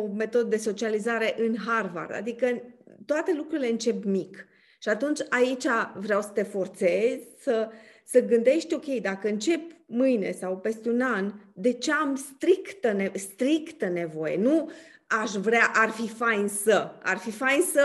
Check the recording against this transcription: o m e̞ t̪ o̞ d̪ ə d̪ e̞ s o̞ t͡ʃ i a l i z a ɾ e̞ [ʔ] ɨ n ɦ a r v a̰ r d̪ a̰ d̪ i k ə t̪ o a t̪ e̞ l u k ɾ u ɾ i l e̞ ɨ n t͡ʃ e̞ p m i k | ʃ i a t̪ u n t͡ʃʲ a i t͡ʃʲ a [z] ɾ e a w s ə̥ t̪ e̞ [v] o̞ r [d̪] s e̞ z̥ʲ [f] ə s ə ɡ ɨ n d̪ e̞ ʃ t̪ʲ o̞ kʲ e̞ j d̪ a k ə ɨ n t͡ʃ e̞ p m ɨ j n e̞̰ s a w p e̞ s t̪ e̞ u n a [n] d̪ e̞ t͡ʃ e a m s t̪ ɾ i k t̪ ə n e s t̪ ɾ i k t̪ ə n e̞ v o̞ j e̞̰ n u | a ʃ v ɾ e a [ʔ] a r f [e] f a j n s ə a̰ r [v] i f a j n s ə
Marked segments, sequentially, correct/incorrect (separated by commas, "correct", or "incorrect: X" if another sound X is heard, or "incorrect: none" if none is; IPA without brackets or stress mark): correct, incorrect: v, incorrect: f, incorrect: t̪, incorrect: s, correct, correct, incorrect: i, incorrect: f